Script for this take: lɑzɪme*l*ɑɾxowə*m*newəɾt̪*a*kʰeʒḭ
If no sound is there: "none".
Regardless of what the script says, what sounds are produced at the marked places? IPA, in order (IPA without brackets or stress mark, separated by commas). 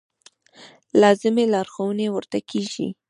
l, none, a